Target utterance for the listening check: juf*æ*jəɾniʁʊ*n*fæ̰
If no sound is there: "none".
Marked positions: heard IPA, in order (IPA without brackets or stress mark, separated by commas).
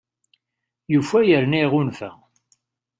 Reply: æ, n